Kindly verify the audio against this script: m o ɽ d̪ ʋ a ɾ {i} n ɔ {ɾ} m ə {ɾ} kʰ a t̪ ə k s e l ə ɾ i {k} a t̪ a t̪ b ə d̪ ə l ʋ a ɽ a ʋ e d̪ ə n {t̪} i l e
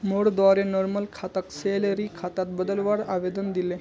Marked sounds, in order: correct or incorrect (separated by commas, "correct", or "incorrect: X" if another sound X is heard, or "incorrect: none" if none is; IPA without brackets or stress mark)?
incorrect: e, correct, incorrect: l, incorrect: kʰ, incorrect: d̪